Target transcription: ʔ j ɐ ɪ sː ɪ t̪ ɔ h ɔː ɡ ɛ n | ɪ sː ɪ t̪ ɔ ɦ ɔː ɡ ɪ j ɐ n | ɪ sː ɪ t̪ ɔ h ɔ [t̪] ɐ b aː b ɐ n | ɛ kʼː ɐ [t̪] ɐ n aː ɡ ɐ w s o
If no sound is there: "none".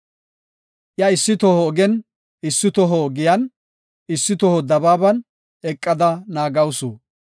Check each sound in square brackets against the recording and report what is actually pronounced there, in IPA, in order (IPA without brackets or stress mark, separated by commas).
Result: d̪, d̪